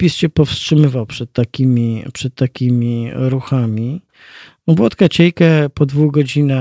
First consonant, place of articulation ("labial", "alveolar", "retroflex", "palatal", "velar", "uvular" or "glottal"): labial